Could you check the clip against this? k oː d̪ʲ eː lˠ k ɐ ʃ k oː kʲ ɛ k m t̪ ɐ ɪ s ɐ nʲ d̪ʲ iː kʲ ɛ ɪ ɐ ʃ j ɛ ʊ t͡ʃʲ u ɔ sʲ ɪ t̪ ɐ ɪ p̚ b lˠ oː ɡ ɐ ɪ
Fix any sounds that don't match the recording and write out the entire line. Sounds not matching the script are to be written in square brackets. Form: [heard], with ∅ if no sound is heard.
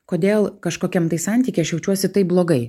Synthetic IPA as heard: k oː d̪ʲ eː lˠ k ɐ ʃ k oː kʲ ɛ [∅] m t̪ ɐ ɪ s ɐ nʲ [t̪ʲ] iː kʲ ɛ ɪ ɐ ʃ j ɛ ʊ t͡ʃʲ u ɔ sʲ ɪ t̪ ɐ ɪ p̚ b lˠ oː ɡ ɐ ɪ